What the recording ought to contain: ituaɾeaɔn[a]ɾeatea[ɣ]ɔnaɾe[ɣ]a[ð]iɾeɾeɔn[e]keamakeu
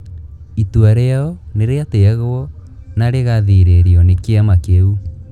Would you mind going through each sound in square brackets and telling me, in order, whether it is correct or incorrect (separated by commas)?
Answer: incorrect, correct, correct, correct, correct